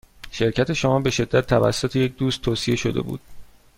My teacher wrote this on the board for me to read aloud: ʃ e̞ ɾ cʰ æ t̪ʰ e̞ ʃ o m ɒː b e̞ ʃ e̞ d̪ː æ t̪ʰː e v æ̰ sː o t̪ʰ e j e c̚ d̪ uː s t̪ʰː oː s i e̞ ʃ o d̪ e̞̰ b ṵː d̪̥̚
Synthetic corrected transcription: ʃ e̞ ɾ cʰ æ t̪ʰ e̞ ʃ o m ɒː b e̞ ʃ e̞ d̪ː æ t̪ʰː æ v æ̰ sː o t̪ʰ e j e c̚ d̪ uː s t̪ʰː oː s i e̞ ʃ o d̪ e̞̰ b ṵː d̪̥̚